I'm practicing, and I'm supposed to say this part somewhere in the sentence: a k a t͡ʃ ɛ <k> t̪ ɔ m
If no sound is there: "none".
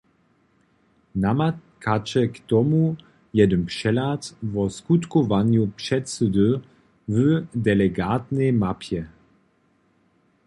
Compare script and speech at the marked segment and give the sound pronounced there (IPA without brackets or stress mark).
k